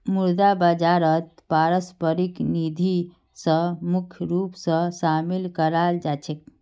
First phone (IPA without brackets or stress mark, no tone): m